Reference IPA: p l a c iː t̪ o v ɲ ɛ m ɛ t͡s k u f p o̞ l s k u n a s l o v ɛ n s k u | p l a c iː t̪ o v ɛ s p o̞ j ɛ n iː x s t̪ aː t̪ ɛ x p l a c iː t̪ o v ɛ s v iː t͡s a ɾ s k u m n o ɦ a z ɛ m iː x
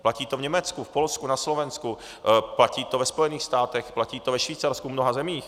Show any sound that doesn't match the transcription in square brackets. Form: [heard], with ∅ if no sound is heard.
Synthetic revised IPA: p l a c iː t̪ o v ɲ ɛ m ɛ t͡s k u f p o̞ l s k u n a s l o v ɛ n s k u | p l a c iː t̪ o v ɛ s p o̞ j ɛ n iː x s t̪ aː t̪ ɛ x p l a c iː t̪ o v ɛ [ʃ] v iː t͡s a ɾ s k u m n o ɦ a z ɛ m iː x

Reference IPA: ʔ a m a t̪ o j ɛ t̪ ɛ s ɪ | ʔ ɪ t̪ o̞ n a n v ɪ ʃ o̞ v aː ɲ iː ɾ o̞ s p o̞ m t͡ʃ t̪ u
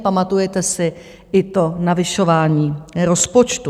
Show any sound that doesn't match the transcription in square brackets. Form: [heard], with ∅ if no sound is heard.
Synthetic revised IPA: [p] a m a t̪ [u] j ɛ t̪ ɛ s ɪ | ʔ ɪ t̪ o̞ n a [∅] v ɪ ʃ o̞ v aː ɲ iː ɾ o̞ s p o̞ [∅] t͡ʃ t̪ u

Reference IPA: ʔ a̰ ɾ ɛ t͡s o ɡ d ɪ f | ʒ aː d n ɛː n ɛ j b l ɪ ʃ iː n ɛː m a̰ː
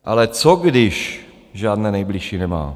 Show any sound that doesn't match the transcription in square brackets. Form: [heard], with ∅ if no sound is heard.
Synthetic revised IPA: ʔ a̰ [l] ɛ t͡s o ɡ d ɪ [ʃ] | ʒ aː d n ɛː n ɛ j b l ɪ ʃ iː n [ɛ] m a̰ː

